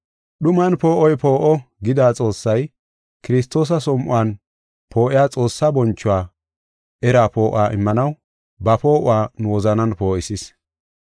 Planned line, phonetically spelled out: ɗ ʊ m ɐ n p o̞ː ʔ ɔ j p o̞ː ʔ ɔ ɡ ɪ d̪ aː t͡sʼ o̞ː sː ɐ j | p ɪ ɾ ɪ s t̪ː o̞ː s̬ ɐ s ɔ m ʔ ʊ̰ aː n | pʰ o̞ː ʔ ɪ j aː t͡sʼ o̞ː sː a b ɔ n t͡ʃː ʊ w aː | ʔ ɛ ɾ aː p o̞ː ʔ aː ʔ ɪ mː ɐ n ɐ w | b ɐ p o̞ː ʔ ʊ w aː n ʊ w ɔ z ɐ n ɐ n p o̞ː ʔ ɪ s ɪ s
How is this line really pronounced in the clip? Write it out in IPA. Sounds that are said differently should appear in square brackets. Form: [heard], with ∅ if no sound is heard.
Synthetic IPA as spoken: ɗ ʊ m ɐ n p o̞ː ʔ ɔ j p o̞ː ʔ ɔ ɡ ɪ d̪ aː t͡sʼ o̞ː sː ɐ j | [k] ɪ ɾ ɪ s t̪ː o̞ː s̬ ɐ s ɔ m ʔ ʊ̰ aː n | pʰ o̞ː ʔ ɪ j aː t͡sʼ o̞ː sː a b ɔ n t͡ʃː ʊ w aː | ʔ ɛ ɾ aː p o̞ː ʔ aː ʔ ɪ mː ɐ n ɐ w | b ɐ p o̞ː ʔ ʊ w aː n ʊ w ɔ z ɐ n ɐ n p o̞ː ʔ ɪ s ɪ s